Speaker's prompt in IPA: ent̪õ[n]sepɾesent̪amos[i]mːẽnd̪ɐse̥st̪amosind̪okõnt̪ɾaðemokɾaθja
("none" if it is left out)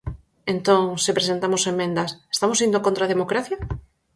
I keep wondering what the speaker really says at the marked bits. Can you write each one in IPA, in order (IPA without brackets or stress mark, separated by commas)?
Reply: ŋ, e